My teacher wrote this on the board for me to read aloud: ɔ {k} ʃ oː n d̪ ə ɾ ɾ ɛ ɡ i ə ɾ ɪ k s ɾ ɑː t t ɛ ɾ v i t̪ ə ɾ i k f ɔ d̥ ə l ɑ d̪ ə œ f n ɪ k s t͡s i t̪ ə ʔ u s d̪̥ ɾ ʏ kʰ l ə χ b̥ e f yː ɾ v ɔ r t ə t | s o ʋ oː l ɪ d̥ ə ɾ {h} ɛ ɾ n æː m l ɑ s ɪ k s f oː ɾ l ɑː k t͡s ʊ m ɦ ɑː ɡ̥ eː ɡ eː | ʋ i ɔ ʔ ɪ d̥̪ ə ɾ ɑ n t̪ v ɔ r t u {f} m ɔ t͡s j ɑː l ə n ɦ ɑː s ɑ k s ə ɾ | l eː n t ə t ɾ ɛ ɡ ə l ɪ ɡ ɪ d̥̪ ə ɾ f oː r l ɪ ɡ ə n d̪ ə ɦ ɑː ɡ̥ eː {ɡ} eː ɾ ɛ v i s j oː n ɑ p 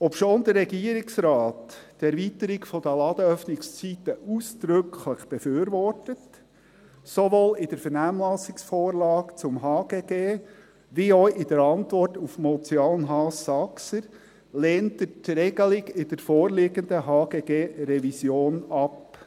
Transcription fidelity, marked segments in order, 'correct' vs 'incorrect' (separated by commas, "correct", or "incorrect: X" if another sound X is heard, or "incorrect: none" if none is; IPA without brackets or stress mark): incorrect: p, incorrect: f, correct, correct